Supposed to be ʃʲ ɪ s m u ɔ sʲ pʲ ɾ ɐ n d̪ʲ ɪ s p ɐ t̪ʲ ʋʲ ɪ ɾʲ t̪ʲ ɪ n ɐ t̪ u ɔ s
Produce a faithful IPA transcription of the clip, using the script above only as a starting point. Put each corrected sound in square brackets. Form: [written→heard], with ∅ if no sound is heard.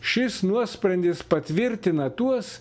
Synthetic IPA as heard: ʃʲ ɪ s [m→n] u ɔ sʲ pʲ ɾ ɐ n d̪ʲ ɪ s p ɐ t̪ʲ ʋʲ ɪ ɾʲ t̪ʲ ɪ n ɐ t̪ u ɔ s